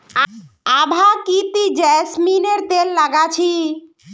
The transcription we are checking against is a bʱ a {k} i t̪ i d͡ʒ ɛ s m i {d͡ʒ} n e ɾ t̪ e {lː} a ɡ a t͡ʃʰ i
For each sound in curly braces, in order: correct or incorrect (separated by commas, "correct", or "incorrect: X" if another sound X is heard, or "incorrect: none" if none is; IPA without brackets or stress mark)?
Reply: correct, incorrect: none, correct